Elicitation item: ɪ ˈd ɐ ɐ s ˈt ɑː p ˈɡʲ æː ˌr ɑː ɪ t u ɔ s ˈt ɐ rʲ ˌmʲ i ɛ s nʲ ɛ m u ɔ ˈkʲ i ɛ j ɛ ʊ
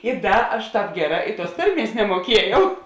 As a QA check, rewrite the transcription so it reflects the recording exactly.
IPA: ɪ ˈd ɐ ɐ ʃ ˈt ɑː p ˈɡʲ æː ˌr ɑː ɪ t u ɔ s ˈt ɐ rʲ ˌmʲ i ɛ s nʲ ɛ m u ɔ ˈkʲ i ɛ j ɛ ʊ